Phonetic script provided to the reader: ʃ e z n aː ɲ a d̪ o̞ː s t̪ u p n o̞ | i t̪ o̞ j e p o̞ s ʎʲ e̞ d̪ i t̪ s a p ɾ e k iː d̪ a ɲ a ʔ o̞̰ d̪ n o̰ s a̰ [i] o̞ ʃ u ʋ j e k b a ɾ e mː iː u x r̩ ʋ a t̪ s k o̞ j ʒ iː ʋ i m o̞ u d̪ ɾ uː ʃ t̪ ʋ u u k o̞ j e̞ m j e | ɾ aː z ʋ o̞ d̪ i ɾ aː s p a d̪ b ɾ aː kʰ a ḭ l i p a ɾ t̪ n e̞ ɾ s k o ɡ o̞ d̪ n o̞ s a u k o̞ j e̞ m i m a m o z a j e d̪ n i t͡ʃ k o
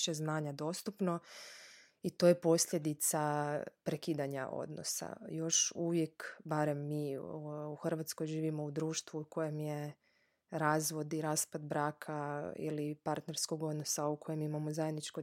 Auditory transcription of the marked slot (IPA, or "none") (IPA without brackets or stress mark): j